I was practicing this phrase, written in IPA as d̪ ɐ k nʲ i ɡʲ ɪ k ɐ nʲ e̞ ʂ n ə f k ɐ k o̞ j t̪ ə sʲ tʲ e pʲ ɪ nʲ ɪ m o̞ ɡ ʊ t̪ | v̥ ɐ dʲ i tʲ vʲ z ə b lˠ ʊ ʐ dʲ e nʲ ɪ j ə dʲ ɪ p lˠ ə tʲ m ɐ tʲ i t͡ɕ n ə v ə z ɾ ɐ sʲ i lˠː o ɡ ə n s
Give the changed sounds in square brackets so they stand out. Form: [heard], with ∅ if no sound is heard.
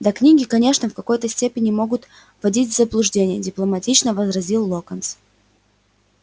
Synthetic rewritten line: d̪ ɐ k nʲ i ɡʲ ɪ k ɐ nʲ e̞ ʂ n ə f k ɐ k o̞ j t̪ ə sʲ tʲ e pʲ ɪ nʲ ɪ m o̞ ɡ ʊ t̪ | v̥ ɐ dʲ i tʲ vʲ z ə b lˠ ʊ ʐ dʲ e nʲ ɪ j ə dʲ ɪ p lˠ ə [∅] m ɐ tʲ i t͡ɕ n ə v ə z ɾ ɐ [zʲ] i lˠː o [k] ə n s